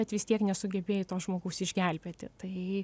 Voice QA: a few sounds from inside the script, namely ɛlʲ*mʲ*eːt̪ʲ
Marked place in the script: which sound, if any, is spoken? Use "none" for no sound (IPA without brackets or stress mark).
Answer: bʲ